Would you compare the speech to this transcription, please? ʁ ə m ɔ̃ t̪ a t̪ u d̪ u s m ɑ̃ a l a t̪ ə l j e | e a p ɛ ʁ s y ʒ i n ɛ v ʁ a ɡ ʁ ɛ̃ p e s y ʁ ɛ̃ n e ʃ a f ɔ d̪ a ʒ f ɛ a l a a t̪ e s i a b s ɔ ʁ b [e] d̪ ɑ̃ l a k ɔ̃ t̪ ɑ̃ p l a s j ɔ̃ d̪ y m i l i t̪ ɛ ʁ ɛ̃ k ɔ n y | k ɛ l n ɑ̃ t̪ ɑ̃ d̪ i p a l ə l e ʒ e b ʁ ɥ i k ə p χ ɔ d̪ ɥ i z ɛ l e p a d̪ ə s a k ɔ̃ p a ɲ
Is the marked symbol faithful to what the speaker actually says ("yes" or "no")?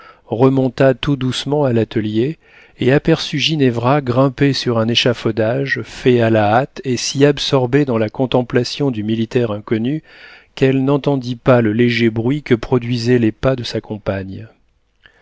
yes